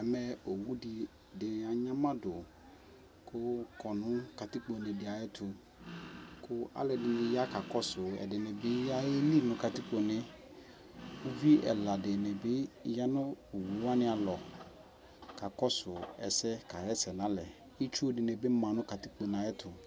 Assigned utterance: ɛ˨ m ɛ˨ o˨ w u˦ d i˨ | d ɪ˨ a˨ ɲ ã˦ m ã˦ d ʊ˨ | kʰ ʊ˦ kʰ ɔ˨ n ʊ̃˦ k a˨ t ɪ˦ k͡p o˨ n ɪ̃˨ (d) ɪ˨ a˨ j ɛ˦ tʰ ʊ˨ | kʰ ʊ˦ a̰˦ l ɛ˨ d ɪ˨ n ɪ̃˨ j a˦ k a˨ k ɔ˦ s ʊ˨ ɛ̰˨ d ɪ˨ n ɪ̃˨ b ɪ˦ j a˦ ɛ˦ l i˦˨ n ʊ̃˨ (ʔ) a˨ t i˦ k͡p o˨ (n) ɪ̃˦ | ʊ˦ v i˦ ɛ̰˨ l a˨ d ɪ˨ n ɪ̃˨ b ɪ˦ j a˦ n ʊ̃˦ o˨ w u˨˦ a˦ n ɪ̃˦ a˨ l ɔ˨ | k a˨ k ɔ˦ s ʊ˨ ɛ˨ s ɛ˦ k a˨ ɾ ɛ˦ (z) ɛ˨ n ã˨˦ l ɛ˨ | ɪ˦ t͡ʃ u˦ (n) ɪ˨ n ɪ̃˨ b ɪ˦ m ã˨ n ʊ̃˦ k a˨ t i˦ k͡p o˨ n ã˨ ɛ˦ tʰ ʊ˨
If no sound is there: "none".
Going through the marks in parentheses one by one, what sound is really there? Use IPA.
d, k, n, s, d

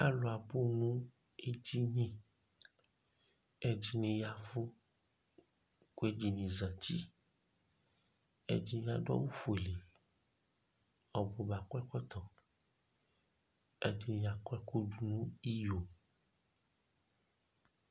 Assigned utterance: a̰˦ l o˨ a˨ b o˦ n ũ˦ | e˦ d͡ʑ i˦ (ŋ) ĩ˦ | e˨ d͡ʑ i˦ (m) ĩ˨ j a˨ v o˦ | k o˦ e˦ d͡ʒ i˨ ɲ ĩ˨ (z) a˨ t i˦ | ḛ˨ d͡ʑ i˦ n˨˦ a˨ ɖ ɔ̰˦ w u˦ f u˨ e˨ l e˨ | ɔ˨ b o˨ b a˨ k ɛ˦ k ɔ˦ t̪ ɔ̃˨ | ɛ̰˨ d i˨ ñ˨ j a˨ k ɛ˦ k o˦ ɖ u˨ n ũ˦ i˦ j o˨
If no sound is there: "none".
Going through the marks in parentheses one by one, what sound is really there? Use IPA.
ɲ, n, z

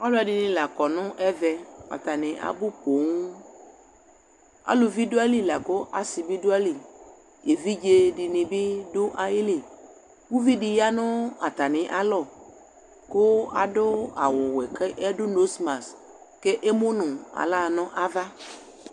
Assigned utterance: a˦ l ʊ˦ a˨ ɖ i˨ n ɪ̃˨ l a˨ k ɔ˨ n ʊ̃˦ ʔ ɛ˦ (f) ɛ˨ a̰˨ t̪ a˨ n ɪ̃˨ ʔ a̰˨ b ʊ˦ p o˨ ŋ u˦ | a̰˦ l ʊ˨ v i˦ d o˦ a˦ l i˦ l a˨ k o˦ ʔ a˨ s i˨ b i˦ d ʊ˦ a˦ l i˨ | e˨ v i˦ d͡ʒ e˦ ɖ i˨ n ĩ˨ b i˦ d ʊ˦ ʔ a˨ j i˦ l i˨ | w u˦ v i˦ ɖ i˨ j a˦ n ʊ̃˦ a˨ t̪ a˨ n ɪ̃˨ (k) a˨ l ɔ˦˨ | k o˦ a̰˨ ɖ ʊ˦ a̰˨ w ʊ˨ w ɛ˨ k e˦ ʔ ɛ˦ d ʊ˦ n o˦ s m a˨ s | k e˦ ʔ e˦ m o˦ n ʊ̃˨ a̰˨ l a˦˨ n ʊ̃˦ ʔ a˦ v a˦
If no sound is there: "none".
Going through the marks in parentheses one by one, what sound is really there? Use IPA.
v, ʔ

